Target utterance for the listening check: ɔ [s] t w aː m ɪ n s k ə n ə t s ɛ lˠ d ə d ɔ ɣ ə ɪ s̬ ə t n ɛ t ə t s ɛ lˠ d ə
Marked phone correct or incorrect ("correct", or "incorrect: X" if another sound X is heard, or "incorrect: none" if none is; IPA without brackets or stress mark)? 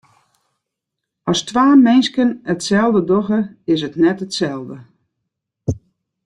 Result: correct